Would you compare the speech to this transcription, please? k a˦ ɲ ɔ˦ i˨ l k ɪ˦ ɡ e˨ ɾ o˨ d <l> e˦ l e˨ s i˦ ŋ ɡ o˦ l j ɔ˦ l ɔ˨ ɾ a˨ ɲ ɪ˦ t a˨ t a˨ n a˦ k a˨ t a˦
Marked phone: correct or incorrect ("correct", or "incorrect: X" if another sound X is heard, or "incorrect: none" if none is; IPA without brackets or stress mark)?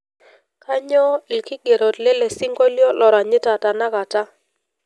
correct